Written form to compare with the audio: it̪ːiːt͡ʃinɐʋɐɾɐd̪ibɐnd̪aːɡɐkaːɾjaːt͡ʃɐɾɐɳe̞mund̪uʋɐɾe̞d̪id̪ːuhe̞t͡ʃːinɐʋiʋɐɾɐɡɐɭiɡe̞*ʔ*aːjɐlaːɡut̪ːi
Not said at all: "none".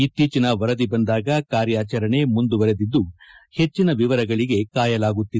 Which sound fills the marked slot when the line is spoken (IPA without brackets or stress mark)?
k